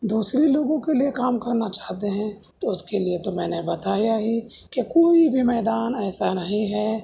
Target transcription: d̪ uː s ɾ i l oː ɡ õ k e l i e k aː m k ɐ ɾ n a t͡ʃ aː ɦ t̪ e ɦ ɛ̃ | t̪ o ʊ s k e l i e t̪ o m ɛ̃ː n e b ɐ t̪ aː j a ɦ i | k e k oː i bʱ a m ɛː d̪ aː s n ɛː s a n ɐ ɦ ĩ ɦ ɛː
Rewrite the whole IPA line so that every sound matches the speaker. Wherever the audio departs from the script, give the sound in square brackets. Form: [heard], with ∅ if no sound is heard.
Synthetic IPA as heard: d̪ uː s ɾ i l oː ɡ õ k e l i e k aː m k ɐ ɾ n a t͡ʃ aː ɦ t̪ e ɦ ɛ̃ | t̪ o ʊ s k e l i e t̪ o m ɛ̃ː n e b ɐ t̪ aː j a ɦ i | k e k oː i bʱ [i] m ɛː d̪ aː [∅] n ɛː s a n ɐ ɦ ĩ ɦ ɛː